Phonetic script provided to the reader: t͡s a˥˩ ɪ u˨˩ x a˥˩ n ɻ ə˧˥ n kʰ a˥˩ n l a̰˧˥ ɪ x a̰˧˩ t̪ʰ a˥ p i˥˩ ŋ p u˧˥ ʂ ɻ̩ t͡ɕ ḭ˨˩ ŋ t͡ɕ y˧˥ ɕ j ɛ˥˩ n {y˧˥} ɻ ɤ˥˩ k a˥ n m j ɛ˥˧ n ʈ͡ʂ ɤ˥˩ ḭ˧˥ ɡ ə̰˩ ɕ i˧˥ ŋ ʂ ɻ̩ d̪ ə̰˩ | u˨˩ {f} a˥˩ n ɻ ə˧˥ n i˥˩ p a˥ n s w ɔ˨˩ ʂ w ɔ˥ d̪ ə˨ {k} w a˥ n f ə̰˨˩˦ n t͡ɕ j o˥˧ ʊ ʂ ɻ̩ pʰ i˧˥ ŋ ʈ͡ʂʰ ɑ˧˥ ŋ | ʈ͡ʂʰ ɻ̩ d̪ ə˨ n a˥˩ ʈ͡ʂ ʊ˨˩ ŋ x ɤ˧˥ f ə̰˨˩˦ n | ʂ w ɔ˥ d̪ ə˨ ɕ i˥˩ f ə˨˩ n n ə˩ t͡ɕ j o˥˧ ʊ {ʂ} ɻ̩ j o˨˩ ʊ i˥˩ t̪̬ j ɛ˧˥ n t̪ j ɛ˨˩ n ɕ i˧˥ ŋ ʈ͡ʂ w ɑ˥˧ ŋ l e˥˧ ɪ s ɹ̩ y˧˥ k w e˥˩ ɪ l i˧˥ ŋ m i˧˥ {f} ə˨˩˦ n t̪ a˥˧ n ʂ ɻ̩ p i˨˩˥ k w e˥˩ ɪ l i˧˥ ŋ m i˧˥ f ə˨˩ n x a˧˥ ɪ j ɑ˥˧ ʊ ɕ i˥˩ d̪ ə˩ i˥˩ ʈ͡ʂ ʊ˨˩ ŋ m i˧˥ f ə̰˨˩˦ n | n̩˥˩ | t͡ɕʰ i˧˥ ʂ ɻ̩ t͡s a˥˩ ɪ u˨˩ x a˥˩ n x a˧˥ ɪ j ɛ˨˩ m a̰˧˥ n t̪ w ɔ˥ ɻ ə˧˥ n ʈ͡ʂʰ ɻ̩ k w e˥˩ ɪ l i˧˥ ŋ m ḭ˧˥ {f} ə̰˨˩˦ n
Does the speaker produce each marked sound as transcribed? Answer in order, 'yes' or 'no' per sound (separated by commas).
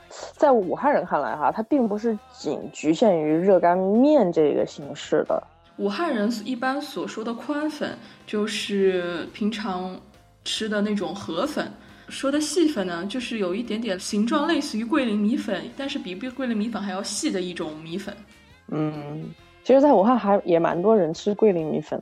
yes, no, no, yes, yes, yes